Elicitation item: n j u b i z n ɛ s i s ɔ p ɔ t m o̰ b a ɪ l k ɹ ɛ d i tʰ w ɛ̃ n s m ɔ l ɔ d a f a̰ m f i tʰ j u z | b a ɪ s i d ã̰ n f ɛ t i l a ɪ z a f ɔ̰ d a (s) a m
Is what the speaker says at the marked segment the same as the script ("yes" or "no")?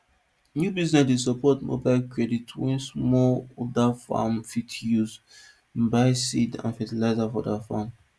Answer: no